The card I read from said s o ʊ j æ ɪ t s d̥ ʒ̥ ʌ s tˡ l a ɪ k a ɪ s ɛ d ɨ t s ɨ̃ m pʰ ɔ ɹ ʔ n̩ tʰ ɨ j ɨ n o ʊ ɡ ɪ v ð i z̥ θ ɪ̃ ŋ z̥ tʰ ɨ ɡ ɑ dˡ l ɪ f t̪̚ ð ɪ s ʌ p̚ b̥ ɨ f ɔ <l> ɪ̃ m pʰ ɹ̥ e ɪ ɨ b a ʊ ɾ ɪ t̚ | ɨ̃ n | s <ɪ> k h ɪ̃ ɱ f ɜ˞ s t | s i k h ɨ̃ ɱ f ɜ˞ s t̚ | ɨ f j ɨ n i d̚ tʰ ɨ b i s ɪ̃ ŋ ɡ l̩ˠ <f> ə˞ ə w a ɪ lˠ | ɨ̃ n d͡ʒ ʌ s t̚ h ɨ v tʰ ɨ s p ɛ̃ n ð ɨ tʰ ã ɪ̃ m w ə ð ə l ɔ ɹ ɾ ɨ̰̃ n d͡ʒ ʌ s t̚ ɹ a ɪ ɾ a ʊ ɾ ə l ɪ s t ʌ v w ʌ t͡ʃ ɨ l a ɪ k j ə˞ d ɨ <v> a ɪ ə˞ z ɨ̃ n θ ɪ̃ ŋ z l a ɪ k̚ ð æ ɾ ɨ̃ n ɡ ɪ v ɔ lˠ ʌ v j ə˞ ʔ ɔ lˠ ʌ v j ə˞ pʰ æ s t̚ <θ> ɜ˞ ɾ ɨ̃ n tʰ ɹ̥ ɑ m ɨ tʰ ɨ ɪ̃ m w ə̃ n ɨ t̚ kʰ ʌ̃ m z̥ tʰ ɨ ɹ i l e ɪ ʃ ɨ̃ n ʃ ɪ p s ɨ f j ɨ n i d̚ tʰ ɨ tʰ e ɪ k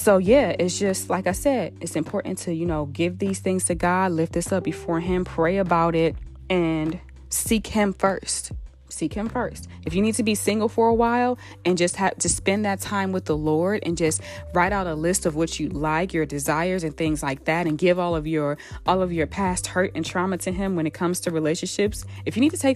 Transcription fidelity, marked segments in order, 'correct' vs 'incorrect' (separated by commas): incorrect, incorrect, correct, incorrect, incorrect